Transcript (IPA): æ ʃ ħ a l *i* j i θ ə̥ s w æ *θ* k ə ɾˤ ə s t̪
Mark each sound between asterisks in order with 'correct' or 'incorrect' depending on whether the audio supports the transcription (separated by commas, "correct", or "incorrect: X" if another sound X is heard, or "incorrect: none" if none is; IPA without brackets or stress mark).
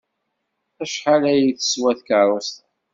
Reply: incorrect: æ, correct